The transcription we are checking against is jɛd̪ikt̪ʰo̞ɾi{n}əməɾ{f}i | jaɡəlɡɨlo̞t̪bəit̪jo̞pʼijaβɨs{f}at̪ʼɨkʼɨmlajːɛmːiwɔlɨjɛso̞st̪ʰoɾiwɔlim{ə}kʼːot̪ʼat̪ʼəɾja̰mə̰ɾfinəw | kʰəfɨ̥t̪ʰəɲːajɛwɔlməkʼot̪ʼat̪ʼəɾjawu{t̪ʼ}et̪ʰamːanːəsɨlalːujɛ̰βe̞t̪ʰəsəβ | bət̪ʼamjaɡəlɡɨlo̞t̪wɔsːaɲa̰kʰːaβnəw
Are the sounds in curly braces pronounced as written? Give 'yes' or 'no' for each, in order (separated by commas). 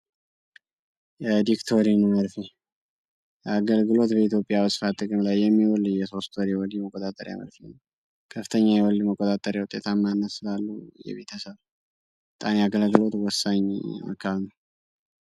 yes, yes, yes, yes, yes